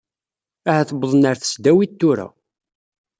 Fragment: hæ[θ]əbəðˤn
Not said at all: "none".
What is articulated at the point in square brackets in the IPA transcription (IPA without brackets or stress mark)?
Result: θ